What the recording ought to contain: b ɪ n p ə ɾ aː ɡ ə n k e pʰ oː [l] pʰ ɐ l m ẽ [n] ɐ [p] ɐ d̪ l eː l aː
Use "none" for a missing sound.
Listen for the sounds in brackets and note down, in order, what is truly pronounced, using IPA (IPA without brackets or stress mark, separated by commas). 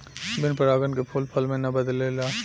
l, n, b